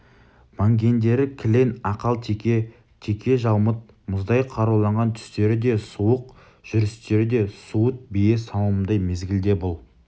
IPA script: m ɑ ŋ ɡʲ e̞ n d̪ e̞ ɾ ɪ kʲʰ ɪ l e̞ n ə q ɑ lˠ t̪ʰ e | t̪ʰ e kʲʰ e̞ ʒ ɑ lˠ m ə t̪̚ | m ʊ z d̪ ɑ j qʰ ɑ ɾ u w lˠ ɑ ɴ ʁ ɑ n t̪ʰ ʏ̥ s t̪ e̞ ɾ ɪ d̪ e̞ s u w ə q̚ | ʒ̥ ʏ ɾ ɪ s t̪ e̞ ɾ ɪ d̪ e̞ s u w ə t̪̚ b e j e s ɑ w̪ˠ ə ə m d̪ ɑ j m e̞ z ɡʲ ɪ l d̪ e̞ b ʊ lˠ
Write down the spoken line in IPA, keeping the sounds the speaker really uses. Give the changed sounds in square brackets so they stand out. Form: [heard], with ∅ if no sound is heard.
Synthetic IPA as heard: m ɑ ŋ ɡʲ e̞ n d̪ e̞ ɾ ɪ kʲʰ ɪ l e̞ n [ɑ] q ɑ lˠ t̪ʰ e | t̪ʰ e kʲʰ e̞ ʒ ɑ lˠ m ə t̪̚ | m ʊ z d̪ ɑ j qʰ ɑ ɾ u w lˠ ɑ ɴ ʁ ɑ n t̪ʰ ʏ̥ s t̪ e̞ ɾ ɪ d̪ e̞ s u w ə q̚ | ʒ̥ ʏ ɾ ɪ s t̪ e̞ ɾ ɪ d̪ e̞ s u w ə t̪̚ b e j e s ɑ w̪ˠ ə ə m d̪ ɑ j m e̞ z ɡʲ ɪ l d̪ e̞ b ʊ lˠ